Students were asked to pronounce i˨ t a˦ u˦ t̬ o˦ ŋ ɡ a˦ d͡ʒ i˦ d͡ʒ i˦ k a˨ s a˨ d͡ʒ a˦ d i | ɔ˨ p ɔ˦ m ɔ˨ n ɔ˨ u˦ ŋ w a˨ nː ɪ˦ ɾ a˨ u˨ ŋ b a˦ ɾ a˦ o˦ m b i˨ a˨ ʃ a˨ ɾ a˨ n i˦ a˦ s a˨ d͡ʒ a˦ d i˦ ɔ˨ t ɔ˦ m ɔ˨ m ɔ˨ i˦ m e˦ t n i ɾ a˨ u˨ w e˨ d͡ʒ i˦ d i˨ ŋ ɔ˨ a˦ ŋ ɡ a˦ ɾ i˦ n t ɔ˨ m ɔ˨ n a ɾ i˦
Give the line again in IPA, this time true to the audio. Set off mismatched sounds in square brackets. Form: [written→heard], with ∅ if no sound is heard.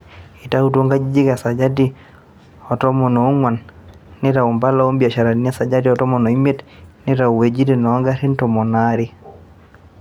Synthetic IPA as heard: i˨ t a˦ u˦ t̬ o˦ ŋ ɡ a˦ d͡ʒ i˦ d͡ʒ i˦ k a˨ s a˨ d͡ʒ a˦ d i | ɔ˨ [p→t] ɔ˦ m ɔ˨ n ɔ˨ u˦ ŋ w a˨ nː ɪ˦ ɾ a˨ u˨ [ŋ→m] b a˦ [ɾ→l] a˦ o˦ m b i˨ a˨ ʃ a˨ ɾ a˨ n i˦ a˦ s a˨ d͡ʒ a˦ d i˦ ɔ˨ t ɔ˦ m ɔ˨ [m→n] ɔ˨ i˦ m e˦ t n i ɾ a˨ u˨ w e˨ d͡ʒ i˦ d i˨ [ŋ→n] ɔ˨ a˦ ŋ ɡ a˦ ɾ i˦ n t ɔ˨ m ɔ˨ n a ɾ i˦

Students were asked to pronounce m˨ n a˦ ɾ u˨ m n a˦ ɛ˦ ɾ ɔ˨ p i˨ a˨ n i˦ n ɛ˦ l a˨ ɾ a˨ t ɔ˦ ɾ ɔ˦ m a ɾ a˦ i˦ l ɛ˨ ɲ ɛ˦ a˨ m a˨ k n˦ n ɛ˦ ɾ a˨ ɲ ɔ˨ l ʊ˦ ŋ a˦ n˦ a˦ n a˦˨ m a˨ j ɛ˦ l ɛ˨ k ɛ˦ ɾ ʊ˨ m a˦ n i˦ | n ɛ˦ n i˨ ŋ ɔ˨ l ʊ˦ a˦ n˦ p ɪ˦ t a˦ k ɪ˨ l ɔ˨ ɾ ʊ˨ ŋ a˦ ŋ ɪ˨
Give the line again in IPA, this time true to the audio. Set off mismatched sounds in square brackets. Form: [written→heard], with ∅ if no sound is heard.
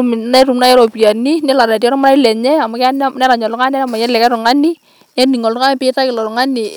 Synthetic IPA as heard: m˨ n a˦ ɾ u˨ m n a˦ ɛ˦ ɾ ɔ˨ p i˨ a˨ n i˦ n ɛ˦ l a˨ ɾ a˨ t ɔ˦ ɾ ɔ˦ m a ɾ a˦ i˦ l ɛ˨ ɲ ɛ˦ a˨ m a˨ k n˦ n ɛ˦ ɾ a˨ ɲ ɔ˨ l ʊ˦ ŋ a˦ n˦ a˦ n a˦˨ m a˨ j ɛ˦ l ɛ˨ k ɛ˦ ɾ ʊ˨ [m→ŋ] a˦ n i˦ | n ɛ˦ n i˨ ŋ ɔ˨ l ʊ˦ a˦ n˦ p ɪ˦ t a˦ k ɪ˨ l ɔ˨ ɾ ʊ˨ ŋ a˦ [ŋ→n] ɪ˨

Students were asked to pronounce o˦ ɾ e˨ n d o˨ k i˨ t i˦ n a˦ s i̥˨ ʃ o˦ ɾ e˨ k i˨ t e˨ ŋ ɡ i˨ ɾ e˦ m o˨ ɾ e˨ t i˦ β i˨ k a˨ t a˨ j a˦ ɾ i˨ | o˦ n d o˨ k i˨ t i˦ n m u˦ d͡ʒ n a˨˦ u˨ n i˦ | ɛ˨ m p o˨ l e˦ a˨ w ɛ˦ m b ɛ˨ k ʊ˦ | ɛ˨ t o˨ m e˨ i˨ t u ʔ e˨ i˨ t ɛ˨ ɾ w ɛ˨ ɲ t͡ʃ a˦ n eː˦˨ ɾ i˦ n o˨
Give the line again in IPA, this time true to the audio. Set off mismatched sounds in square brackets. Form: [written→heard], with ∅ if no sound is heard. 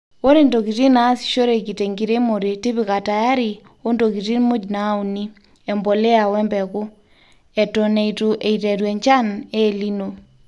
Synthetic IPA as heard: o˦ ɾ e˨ n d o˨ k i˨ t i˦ n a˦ s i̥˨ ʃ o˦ ɾ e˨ k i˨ t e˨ ŋ ɡ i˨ ɾ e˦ m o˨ ɾ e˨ t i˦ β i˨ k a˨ t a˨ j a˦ ɾ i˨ | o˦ n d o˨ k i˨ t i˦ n m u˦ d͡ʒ n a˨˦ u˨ n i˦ | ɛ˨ m [p→b] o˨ l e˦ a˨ w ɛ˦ m b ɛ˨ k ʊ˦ | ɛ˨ t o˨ [m→n] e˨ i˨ t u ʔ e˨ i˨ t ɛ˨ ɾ w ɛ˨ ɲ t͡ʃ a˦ n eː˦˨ [ɾ→l] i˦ n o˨

